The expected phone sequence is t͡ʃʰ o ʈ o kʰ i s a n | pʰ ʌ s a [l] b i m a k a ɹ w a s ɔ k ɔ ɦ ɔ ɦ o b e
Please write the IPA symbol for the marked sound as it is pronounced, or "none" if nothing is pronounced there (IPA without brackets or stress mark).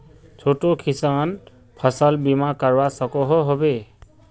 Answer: l